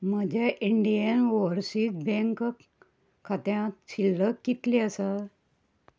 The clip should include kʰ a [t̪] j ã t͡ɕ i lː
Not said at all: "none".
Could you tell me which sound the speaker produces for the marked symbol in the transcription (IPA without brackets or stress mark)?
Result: t̪